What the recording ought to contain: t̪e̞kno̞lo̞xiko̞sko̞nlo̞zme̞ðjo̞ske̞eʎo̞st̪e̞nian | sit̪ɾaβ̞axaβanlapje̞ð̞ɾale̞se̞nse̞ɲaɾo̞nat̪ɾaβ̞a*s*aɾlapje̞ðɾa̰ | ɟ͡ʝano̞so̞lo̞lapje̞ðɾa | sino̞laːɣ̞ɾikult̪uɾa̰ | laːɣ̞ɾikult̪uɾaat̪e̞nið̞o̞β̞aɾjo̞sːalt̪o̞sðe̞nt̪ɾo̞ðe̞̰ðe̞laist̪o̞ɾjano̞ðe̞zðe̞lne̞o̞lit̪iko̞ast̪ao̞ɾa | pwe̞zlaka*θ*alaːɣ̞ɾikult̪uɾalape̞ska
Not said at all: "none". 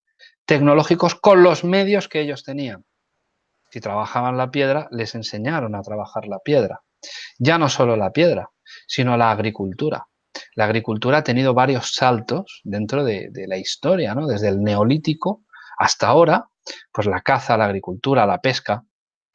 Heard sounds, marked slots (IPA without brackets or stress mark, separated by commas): x, θ